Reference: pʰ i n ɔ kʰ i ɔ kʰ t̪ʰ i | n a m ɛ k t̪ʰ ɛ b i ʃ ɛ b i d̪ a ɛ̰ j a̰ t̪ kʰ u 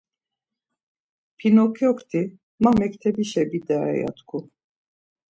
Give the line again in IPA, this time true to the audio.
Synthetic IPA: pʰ i n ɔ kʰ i ɔ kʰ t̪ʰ i | m a m ɛ k t̪ʰ ɛ b i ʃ ɛ b i d̪ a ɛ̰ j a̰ t̪ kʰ u